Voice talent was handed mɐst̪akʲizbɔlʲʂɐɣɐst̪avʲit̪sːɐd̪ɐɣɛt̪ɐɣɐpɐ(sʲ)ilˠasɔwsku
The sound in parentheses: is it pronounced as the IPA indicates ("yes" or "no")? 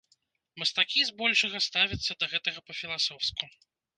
no